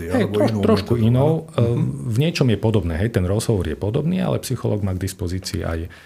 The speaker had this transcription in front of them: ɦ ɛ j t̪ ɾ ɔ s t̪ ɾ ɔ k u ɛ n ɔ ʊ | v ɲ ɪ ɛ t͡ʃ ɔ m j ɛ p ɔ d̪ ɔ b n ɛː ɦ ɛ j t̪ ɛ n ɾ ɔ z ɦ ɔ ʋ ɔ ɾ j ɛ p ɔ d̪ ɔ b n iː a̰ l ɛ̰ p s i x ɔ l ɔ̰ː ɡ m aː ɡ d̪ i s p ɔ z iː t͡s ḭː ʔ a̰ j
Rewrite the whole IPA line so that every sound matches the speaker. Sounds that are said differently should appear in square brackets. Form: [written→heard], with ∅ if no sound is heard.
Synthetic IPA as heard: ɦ ɛ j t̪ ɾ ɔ [s→ʃ] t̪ ɾ ɔ k u [ɛ→i] n ɔ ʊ | v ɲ ɪ ɛ t͡ʃ ɔ m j ɛ p ɔ d̪ ɔ b n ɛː ɦ ɛ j t̪ ɛ n ɾ ɔ z ɦ ɔ ʋ ɔ ɾ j ɛ p ɔ d̪ ɔ b n iː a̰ l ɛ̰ p s i x ɔ l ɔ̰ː ɡ m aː ɡ d̪ i s p ɔ z iː t͡s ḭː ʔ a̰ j